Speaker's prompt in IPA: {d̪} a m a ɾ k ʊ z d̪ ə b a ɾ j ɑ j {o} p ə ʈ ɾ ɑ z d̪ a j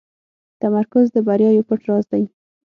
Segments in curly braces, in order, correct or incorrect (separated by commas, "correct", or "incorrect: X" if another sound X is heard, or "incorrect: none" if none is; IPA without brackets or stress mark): incorrect: t̪, correct